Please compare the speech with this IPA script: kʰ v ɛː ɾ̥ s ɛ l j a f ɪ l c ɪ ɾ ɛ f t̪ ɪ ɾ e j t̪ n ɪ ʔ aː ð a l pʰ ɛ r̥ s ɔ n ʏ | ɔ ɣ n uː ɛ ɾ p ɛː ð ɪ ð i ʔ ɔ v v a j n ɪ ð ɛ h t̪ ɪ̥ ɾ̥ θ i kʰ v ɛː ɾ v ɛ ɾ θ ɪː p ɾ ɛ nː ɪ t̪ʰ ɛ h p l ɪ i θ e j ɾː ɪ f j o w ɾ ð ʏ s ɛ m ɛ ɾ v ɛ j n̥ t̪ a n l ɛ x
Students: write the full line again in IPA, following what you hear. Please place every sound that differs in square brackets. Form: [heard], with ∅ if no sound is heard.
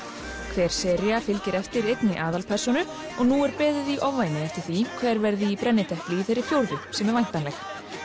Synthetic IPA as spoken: kʰ v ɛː ɾ̥ s ɛ [ɾ] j a f ɪ l c ɪ ɾ ɛ f t̪ ɪ ɾ e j t̪ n ɪ ʔ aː ð a l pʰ ɛ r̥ s ɔ n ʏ | ɔ ɣ n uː ɛ ɾ p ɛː ð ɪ ð i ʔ ɔ v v a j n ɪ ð ɛ [f] t̪ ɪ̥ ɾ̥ θ i kʰ v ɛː ɾ v ɛ ɾ [ð] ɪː p ɾ ɛ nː ɪ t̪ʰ ɛ h p l ɪ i θ e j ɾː ɪ f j o w ɾ ð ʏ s ɛ m ɛ ɾ v [a] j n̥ t̪ a n l ɛ x